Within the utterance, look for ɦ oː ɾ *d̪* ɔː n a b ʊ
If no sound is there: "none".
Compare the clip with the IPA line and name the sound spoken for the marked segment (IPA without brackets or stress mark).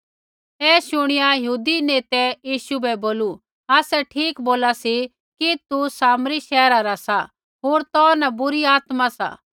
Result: t̪